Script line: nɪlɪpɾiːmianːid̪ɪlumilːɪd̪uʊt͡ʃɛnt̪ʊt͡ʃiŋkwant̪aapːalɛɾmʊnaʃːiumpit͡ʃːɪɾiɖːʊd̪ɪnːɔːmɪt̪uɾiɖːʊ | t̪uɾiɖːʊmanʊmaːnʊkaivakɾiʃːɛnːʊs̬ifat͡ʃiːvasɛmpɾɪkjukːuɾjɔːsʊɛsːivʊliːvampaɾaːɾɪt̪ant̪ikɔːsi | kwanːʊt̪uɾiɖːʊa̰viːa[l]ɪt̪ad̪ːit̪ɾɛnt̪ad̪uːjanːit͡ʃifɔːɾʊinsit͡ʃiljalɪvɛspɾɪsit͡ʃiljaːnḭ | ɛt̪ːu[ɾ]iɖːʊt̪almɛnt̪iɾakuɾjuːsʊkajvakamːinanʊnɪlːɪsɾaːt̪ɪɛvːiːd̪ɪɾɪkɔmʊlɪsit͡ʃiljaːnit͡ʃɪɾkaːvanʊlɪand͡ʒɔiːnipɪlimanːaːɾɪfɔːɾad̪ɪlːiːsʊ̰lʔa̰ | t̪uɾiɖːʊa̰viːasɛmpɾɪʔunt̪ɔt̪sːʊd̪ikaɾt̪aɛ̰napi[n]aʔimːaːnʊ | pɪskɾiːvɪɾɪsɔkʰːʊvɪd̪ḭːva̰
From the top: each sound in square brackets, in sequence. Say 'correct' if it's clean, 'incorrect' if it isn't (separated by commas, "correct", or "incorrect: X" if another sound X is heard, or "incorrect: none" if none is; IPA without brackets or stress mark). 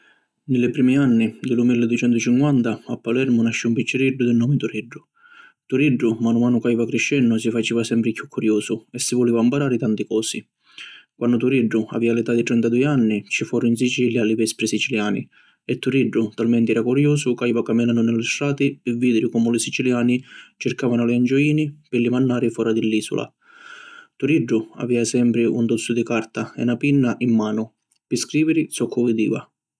correct, correct, incorrect: nː